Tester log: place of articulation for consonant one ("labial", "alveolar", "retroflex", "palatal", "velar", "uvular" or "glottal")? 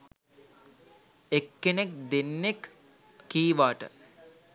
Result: velar